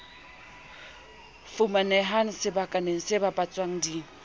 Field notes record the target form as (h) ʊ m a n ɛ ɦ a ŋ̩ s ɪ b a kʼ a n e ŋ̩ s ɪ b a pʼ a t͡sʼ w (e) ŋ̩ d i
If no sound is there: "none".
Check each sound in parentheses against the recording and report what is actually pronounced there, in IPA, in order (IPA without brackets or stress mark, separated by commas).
f, a